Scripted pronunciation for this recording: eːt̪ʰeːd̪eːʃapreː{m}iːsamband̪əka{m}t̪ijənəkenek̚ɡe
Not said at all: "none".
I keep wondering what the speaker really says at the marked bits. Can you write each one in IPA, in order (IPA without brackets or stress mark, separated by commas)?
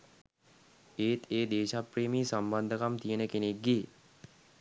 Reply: m, m